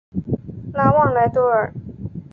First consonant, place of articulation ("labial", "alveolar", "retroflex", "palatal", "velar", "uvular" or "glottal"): alveolar